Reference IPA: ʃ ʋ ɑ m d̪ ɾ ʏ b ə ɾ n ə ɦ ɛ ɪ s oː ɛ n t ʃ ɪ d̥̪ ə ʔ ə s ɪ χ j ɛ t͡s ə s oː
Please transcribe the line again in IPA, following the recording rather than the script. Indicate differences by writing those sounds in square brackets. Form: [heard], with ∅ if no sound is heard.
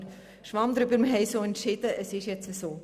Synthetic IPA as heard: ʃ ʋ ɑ m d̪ ɾ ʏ b ə ɾ [m] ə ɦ ɛ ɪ s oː ɛ n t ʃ ɪ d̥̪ ə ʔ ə s ɪ [ʃ] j ɛ t͡s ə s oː